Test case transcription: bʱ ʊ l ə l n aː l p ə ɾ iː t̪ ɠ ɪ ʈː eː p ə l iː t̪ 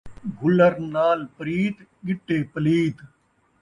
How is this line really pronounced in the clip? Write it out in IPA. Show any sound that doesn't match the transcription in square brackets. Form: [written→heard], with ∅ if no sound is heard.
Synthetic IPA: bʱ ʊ l ə [l→ɾ] n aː l p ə ɾ iː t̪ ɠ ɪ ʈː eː p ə l iː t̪